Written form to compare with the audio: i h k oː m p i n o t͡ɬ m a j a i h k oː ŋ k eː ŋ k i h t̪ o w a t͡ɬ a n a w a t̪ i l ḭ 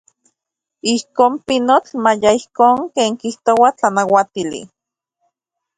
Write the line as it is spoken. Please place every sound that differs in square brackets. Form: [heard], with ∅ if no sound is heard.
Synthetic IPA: i h k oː m p i n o t͡ɬ m a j a i h k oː ŋ k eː ŋ k i h t̪ o w a t͡ɬ a n a w a t̪ i l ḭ